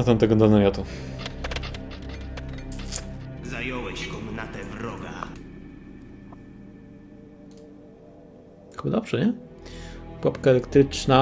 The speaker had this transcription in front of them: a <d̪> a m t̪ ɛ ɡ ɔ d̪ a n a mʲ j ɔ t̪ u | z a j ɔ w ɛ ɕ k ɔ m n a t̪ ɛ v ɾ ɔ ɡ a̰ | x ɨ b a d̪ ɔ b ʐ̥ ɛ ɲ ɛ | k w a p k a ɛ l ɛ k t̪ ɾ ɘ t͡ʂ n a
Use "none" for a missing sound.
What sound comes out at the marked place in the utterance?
t̪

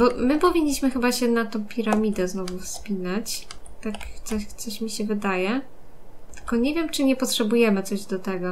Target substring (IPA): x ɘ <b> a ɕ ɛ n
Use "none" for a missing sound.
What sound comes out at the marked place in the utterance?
b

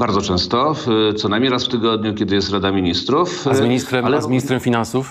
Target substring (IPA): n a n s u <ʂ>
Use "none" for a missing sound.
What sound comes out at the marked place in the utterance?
f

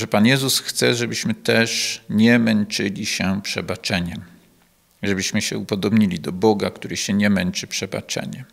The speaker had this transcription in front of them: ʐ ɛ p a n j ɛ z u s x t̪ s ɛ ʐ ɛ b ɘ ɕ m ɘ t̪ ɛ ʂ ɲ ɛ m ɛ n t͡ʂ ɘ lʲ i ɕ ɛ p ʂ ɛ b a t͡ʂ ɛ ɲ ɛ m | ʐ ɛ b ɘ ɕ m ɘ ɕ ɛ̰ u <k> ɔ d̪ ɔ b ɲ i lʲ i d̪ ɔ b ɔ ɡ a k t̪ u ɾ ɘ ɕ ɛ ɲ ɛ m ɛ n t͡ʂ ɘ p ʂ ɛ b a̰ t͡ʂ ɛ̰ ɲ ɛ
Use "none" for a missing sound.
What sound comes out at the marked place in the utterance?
p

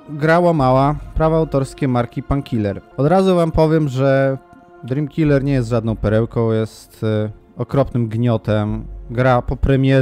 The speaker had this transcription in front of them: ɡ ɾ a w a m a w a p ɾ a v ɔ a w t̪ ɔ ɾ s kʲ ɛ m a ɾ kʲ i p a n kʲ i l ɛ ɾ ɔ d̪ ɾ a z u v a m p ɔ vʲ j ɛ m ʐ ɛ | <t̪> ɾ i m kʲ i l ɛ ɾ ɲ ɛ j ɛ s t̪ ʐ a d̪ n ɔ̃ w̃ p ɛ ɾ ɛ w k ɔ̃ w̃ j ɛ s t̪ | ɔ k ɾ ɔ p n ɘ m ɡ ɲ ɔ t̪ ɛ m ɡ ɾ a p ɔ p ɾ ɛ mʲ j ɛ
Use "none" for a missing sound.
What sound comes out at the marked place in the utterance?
d̪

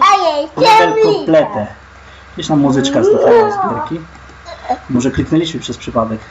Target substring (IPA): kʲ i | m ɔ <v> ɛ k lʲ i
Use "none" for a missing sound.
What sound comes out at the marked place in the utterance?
ʐ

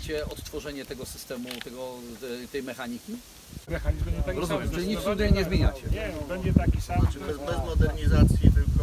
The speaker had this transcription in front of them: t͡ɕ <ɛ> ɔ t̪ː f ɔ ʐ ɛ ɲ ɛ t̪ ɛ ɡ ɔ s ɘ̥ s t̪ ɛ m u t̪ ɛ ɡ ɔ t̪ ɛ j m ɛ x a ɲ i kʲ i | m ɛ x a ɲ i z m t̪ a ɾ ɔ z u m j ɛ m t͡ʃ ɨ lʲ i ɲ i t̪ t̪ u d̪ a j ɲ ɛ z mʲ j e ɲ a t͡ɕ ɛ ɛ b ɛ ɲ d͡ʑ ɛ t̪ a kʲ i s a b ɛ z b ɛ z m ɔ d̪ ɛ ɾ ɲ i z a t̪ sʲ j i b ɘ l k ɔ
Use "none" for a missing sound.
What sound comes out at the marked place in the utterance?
ɛ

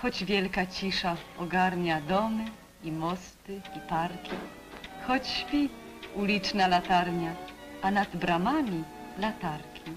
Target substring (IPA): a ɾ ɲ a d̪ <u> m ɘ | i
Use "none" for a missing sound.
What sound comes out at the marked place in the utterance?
ɔ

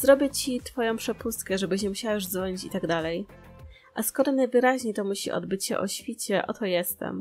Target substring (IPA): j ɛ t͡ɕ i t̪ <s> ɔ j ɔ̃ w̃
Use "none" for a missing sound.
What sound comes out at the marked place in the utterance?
f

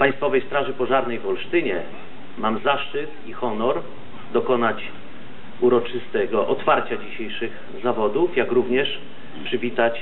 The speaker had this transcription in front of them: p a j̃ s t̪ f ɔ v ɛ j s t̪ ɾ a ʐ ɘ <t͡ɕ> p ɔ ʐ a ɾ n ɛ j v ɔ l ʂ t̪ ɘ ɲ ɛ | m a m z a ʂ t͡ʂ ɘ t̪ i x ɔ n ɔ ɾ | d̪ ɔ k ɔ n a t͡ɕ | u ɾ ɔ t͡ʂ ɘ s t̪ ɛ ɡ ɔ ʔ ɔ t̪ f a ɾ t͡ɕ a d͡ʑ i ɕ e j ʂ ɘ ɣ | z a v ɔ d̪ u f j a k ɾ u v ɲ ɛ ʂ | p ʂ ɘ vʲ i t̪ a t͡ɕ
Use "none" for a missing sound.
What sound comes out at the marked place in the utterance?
none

